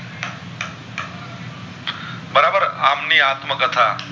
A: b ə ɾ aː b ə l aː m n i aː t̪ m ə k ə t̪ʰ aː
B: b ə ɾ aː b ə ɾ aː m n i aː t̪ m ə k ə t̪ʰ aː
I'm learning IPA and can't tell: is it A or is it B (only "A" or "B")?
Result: B